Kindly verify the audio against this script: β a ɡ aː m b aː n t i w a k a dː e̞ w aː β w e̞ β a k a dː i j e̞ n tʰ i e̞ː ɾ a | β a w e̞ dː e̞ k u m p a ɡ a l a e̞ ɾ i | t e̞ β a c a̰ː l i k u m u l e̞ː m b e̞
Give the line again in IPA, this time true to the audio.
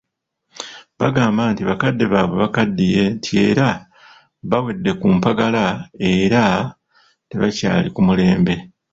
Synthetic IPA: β a ɡ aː m b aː n t i β a k a dː e̞ β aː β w e̞ β a k a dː i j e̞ n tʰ i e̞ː ɾ a | β a w e̞ dː e̞ k u m p a ɡ a l a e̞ ɾ a | t e̞ β a c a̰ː l i k u m u l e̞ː m b e̞